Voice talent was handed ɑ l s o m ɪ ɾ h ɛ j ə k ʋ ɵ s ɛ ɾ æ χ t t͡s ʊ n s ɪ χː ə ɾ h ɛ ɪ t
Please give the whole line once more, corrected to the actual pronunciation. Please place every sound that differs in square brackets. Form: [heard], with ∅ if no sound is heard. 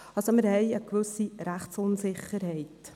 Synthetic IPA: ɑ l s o m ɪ ɾ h ɛ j ə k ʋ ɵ s [i] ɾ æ χ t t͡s ʊ n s ɪ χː ə ɾ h ɛ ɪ t